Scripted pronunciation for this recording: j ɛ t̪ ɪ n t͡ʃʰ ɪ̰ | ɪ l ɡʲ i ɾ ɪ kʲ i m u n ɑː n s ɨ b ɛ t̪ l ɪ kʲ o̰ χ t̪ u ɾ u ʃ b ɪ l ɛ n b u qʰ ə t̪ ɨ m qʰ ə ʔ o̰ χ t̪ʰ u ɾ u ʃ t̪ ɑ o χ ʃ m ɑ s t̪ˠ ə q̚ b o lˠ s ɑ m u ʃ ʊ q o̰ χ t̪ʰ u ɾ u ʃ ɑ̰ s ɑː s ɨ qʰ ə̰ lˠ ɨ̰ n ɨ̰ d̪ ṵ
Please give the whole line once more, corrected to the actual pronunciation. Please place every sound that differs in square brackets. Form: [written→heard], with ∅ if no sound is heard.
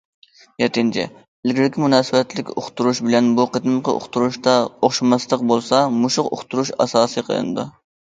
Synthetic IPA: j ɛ t̪ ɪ n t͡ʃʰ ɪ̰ | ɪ l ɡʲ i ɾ ɪ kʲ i m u n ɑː [n→∅] s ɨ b ɛ t̪ l ɪ kʲ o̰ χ t̪ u ɾ u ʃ b ɪ l ɛ n b u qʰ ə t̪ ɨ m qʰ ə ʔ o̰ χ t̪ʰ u ɾ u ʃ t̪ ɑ o χ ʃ m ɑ s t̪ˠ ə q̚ b o lˠ s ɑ m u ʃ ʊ q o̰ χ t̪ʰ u ɾ u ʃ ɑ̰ s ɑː s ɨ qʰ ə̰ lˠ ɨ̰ n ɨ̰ d̪ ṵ